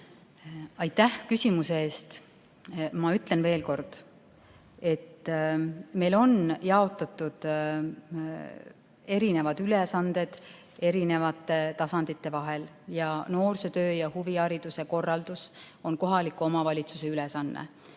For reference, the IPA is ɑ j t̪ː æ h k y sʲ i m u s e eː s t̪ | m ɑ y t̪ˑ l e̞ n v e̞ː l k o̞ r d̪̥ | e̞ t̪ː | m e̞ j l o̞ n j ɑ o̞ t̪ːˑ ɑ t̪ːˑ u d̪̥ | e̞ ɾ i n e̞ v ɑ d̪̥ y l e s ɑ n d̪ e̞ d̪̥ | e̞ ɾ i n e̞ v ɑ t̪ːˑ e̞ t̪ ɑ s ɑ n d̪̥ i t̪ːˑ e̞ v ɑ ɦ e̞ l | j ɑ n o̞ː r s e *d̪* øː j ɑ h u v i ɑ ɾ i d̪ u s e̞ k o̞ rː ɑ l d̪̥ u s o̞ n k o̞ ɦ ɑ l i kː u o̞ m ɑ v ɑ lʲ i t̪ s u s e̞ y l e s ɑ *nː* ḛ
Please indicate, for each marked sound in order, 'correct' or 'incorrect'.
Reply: incorrect: t̪, correct

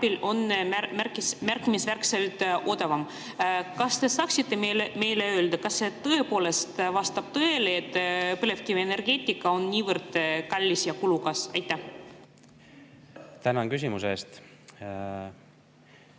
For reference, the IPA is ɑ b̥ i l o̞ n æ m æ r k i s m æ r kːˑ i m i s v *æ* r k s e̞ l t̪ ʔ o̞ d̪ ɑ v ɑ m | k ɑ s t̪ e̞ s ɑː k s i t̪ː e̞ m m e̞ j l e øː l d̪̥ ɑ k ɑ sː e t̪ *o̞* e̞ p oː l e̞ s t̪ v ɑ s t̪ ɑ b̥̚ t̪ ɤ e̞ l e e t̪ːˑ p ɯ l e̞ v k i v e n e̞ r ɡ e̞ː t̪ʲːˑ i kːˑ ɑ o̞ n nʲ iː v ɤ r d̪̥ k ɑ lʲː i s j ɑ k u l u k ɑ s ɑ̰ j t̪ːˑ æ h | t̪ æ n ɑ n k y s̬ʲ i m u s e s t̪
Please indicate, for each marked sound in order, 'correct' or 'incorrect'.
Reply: correct, incorrect: ɤ̞

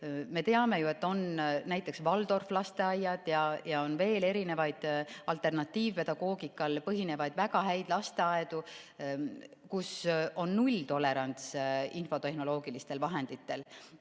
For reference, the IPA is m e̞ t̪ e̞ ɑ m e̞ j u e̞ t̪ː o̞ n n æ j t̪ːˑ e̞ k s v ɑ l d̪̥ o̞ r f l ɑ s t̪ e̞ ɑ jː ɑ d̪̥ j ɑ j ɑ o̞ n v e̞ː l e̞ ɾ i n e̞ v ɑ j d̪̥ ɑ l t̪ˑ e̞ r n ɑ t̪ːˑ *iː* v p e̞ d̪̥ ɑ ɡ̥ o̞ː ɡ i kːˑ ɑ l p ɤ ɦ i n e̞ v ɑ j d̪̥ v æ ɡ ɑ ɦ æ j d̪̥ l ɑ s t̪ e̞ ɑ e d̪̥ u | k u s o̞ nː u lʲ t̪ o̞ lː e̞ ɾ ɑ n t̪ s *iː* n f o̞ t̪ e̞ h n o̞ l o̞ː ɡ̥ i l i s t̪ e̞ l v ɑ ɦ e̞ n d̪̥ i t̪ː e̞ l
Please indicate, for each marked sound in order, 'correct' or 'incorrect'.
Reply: correct, incorrect: i

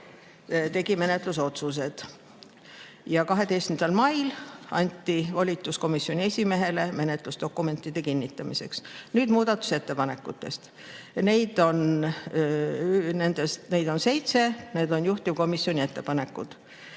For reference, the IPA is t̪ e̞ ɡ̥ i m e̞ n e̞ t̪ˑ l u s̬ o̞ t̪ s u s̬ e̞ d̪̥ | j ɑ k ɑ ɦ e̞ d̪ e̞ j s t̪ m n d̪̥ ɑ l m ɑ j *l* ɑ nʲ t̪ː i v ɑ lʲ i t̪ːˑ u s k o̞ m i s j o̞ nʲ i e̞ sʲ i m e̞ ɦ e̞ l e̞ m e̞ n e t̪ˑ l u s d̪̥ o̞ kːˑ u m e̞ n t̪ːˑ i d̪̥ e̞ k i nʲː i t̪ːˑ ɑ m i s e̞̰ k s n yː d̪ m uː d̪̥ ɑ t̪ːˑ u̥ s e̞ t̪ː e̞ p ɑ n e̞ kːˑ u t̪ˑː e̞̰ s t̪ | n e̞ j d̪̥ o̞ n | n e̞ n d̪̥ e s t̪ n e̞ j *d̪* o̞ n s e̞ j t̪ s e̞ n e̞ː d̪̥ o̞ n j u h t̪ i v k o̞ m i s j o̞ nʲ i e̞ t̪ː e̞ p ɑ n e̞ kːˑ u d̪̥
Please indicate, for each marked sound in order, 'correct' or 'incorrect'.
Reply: correct, correct

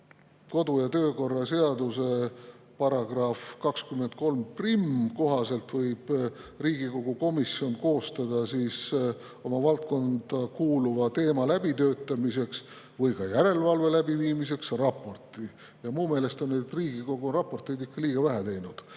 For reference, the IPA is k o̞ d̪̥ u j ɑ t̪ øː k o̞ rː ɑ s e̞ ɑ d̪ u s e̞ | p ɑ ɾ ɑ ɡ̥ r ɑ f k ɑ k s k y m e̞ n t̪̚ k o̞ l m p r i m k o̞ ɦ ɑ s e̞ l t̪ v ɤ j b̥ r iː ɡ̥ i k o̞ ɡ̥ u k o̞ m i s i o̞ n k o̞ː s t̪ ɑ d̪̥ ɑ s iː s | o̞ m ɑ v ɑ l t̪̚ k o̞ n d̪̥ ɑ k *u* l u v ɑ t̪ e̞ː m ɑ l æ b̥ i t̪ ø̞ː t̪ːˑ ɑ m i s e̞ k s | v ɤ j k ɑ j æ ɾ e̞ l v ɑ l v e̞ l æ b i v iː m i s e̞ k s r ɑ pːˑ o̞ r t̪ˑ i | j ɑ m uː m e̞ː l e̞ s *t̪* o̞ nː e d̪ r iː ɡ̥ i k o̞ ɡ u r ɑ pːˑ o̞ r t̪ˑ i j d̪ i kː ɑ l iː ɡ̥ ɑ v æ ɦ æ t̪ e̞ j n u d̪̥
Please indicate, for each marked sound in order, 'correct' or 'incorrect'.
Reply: incorrect: uː, correct

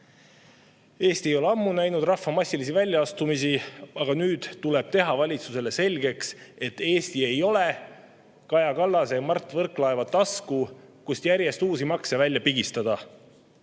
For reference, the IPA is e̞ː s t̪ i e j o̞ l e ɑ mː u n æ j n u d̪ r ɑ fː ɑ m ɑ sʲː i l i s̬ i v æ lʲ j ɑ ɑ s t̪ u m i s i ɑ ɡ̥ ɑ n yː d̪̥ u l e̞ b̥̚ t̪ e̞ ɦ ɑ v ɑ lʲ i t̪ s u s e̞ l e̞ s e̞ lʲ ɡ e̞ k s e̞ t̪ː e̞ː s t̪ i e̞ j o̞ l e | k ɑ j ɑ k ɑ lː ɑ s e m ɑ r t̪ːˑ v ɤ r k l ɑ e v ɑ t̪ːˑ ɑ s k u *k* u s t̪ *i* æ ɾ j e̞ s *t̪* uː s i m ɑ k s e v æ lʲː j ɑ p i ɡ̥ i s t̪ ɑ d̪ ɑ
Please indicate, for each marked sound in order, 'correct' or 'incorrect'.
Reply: correct, incorrect: j, correct

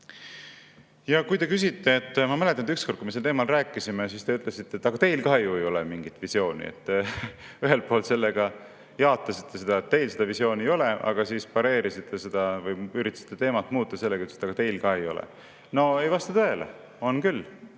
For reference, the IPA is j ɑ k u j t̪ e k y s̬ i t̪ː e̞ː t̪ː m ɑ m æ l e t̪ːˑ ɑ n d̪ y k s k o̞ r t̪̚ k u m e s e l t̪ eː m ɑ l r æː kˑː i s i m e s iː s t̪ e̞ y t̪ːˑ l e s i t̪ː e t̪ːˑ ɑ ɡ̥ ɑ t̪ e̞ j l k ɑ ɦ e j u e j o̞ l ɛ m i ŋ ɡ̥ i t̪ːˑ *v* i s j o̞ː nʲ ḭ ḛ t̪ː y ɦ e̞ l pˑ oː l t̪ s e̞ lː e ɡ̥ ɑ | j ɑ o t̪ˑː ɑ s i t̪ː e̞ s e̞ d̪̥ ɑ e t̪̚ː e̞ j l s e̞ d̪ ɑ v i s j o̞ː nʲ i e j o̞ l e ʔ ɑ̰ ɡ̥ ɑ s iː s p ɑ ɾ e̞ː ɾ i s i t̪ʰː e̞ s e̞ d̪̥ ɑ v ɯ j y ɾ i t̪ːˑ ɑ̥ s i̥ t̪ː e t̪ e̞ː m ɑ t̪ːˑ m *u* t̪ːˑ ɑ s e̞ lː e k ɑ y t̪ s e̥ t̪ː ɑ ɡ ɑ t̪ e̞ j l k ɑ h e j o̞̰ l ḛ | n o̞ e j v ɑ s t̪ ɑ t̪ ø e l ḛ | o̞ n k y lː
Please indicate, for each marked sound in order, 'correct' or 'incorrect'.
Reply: correct, incorrect: uː

